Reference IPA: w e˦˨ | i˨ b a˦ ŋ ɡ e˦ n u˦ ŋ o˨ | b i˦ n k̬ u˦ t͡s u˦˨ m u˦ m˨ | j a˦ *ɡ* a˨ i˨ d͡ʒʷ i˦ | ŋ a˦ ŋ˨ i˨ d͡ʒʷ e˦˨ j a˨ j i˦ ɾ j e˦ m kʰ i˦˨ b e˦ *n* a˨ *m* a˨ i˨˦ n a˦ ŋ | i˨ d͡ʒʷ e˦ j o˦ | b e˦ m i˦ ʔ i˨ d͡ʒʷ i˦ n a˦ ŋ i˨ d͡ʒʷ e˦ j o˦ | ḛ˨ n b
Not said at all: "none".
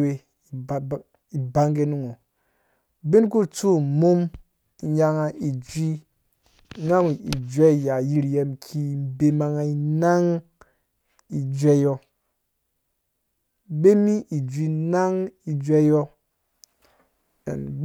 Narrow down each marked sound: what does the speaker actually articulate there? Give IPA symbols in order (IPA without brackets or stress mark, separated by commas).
ŋ, m, ŋ